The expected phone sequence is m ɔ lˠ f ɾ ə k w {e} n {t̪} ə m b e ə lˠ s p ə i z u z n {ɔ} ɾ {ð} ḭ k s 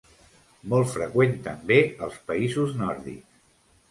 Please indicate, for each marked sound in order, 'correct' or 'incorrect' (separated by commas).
correct, correct, correct, correct